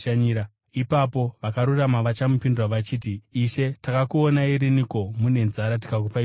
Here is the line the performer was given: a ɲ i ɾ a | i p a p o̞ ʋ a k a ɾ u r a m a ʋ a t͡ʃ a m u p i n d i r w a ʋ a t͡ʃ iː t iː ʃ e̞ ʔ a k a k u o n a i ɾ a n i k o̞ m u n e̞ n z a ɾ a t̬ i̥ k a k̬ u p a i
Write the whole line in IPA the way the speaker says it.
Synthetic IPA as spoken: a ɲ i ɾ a | i p a p o̞ ʋ a k a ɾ u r a m a ʋ a t͡ʃ a m u p i n d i r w a ʋ a t͡ʃ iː t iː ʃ e̞ t a k a k u o n a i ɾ i n i k o̞ m u n e̞ n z a ɾ a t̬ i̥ k a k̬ u p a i